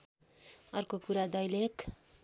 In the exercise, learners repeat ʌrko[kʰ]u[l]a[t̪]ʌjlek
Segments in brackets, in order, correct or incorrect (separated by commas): incorrect, incorrect, incorrect